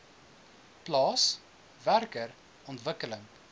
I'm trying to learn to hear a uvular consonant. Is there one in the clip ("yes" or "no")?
no